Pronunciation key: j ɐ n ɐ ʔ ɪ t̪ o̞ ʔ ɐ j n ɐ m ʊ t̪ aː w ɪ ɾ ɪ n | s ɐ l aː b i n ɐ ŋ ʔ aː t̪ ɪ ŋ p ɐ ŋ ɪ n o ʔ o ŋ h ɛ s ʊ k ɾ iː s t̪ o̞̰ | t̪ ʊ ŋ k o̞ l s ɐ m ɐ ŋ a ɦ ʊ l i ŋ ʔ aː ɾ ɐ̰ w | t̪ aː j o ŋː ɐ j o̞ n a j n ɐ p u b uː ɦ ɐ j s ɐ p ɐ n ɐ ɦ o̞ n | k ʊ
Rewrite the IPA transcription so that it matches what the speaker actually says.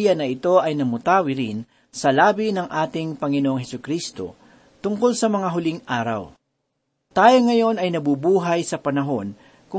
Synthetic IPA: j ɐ n ɐ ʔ ɪ t̪ o̞ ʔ ɐ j n ɐ m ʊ t̪ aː w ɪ ɾ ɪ n | s ɐ l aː b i n ɐ ŋ ʔ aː t̪ ɪ ŋ p ɐ ŋ ɪ n o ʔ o ŋ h ɛ s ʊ k ɾ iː s t̪ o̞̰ | t̪ ʊ ŋ k o̞ l s ɐ m ɐ ŋ a ɦ ʊ l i ŋ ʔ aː ɾ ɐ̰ w | t̪ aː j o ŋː ɐ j o̞ n ɐ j n ɐ b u b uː ɦ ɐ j s ɐ p ɐ n ɐ ɦ o̞ n | k ʊ